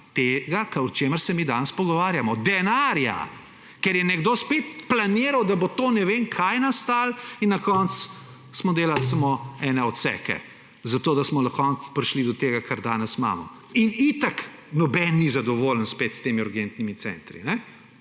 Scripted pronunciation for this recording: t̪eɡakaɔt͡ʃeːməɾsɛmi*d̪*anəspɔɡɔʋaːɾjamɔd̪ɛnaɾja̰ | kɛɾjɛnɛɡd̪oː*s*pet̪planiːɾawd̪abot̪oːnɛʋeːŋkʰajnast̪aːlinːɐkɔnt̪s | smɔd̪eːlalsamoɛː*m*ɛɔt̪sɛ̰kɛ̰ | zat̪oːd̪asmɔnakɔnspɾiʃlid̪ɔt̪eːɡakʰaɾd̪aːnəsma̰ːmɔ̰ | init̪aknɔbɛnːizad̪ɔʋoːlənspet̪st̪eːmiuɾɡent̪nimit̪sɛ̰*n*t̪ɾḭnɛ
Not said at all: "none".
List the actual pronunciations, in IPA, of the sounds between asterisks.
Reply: d̪, s, n, n

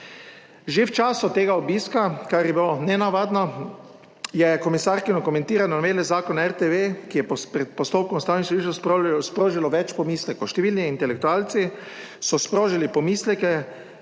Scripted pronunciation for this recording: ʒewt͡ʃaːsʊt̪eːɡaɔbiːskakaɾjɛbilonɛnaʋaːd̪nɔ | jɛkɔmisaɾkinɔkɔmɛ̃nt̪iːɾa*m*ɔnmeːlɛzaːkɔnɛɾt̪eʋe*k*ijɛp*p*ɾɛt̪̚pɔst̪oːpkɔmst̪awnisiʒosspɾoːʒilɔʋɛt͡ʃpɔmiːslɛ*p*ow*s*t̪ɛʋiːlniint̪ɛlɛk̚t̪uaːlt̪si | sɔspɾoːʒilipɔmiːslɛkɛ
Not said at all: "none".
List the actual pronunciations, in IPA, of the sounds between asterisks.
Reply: n, k, p, k, ʃ

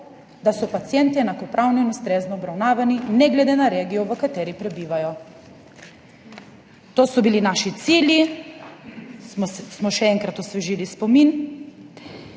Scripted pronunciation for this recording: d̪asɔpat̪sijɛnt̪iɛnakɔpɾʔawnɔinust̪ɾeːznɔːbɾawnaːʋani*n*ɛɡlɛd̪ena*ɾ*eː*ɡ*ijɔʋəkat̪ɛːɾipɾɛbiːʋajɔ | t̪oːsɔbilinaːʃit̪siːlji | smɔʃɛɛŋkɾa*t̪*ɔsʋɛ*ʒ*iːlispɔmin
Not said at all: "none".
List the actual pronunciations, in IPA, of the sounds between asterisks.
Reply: n, ɾ, ɡ, t̪, ʒ

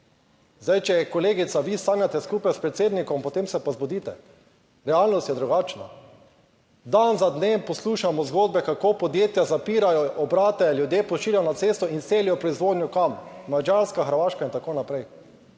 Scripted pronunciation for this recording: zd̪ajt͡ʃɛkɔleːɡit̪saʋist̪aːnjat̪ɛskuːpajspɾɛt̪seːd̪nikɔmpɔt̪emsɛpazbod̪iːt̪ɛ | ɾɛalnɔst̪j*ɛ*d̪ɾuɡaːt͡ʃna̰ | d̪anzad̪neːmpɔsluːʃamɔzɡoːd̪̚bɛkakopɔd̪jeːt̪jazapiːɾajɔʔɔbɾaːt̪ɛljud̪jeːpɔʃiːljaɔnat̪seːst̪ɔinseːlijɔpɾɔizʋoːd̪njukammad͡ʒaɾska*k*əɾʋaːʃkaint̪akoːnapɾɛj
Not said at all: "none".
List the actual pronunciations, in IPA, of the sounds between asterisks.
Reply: ɛ, x

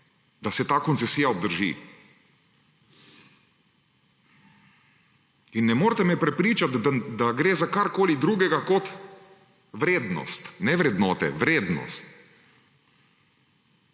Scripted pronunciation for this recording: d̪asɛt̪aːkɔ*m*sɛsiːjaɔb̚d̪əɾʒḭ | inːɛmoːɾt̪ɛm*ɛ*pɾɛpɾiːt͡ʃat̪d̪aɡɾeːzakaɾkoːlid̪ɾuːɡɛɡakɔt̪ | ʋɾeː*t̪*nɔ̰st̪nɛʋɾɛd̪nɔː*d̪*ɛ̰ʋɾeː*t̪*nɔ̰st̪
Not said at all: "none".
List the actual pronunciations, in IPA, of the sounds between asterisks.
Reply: n, ɛ, d̪, t̪, d̪

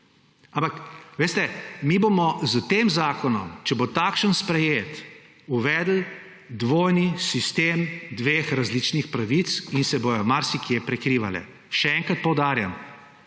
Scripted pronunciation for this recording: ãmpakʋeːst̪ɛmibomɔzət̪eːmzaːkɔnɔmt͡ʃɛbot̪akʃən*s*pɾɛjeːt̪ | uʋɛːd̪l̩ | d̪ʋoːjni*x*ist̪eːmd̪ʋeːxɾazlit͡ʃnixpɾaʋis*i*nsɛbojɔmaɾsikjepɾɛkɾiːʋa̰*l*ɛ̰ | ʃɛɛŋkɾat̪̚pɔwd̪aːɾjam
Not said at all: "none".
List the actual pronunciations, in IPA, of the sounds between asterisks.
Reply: s, s, i, l

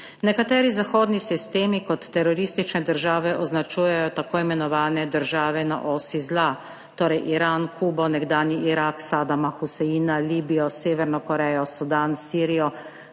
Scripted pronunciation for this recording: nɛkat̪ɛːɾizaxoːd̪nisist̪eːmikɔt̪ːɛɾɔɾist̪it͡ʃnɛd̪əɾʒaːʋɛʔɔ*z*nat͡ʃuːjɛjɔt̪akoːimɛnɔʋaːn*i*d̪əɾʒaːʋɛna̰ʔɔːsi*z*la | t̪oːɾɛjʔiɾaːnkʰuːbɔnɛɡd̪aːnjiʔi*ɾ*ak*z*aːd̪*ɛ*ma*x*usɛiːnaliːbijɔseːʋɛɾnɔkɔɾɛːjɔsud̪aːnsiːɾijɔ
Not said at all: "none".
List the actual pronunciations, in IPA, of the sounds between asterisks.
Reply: z, ɛ, z, ɾ, s, a, x

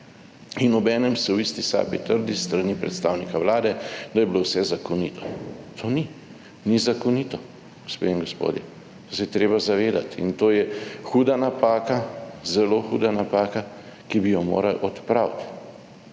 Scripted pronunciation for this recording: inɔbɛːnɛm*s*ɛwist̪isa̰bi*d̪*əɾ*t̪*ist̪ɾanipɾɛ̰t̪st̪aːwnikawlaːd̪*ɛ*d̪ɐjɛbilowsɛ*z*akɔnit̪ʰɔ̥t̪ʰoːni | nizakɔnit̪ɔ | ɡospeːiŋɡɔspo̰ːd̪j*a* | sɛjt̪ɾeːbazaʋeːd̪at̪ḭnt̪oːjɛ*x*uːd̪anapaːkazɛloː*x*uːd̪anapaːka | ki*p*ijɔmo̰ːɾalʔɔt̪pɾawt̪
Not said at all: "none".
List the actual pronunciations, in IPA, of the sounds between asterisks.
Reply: s, t̪, d̪, ɛ, z, ɛ, x, x, b

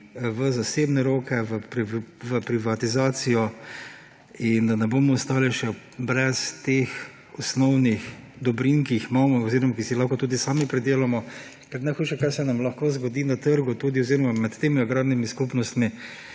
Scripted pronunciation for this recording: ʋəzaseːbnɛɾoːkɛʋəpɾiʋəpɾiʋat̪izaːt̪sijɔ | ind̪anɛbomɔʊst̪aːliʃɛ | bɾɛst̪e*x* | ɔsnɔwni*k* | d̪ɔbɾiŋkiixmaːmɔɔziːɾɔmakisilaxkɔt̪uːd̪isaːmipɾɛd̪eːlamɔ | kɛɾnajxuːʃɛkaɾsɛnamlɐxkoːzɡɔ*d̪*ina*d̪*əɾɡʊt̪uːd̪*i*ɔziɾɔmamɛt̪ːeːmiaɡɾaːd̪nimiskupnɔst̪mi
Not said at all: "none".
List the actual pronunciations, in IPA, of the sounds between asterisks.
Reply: x, x, d̪, t̪, i

